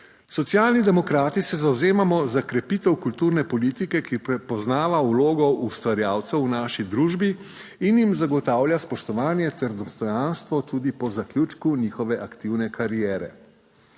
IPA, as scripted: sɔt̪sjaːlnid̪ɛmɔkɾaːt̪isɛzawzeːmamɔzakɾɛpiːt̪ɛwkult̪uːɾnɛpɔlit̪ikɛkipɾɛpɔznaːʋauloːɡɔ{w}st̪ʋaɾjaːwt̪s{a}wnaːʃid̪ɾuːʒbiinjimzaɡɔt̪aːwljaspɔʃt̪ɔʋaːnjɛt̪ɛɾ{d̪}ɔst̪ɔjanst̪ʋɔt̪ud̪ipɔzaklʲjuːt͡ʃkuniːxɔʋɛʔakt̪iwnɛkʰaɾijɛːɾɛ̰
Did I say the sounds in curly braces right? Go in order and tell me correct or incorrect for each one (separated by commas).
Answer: incorrect, incorrect, correct